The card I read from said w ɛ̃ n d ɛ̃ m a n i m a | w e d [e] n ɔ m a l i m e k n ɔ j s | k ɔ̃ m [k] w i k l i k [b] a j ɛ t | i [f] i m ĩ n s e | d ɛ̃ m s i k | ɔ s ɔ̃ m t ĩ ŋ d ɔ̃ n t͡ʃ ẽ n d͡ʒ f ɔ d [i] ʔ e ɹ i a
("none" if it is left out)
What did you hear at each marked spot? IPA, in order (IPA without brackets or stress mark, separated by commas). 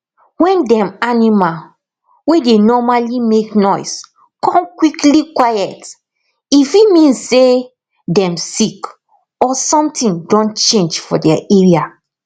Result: e, k, w, f, ɛ